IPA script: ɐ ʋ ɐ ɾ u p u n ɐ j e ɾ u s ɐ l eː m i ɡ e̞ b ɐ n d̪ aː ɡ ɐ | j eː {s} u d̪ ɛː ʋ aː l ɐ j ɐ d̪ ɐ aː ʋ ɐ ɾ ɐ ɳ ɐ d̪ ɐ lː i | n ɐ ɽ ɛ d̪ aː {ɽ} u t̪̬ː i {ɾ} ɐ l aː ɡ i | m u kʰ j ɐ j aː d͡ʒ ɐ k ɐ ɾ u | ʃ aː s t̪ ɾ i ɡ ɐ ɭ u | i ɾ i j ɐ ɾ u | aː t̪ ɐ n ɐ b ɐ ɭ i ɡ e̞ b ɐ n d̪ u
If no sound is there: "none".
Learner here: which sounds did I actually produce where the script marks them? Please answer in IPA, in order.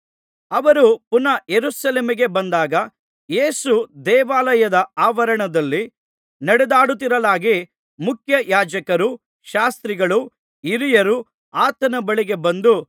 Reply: s, ɽ, ɾ

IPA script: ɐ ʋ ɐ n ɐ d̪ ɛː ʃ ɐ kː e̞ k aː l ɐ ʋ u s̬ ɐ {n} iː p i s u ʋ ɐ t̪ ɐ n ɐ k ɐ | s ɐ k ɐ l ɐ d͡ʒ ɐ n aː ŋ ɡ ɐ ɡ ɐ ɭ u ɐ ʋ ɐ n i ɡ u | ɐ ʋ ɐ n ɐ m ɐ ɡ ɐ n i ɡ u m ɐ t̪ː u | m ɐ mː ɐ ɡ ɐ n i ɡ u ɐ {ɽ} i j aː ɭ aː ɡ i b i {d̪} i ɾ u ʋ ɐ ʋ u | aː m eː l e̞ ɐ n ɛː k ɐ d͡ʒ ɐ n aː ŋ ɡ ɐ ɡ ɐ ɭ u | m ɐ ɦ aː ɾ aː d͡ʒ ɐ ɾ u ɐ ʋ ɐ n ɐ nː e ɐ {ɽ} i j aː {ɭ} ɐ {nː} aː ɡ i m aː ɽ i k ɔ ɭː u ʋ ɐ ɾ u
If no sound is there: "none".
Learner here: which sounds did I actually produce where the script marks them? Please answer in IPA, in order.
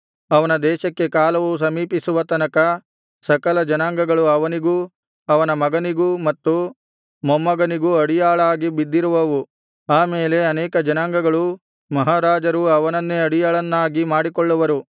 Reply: m, ɽ, d̪ː, ɽ, ɭ, nː

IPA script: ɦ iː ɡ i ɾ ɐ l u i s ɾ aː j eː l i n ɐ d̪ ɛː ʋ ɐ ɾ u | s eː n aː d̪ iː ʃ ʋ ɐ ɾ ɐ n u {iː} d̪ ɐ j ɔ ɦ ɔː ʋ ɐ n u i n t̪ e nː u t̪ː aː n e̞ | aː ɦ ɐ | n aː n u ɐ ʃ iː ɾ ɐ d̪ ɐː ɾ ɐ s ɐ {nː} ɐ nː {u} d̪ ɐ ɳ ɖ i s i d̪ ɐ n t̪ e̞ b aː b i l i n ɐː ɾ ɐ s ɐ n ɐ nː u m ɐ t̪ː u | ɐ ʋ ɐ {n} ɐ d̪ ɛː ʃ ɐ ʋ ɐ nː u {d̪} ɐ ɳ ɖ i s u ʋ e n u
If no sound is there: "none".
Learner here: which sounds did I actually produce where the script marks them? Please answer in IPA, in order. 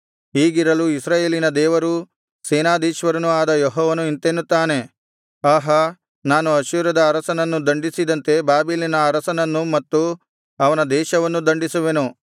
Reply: aː, n, u, n, d̪

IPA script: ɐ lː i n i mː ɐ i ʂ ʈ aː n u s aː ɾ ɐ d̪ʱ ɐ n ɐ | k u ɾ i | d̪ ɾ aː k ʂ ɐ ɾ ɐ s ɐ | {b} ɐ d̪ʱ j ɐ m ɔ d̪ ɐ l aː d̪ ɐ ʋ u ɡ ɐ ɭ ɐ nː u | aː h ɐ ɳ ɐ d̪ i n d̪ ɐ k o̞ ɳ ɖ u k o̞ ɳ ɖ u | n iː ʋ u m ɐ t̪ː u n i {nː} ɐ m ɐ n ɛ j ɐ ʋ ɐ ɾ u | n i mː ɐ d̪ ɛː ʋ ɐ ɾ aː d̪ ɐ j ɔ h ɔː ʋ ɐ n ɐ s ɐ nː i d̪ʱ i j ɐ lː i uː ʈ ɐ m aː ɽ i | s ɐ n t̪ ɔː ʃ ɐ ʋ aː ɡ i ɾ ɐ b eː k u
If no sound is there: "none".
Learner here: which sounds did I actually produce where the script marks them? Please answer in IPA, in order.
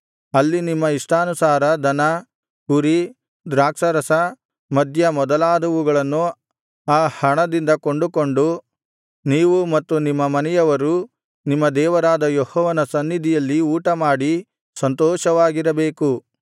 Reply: m, mː

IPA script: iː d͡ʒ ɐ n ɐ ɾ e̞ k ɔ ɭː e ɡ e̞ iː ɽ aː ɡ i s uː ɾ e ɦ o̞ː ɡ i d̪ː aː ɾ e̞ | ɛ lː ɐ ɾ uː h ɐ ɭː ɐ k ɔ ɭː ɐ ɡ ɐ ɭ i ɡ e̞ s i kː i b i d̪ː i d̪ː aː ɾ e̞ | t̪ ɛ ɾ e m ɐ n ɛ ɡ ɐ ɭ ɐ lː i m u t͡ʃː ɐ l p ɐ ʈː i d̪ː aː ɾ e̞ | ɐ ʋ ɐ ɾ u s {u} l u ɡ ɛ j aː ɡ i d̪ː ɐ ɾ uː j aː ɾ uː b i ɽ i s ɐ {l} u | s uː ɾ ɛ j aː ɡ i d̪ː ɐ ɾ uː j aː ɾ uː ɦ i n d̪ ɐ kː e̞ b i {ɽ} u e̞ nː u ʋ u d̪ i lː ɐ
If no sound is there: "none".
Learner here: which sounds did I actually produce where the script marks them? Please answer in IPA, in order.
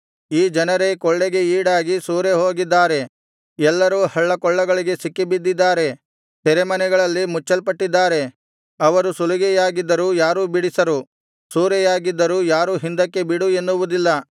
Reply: u, ɾ, ɽ

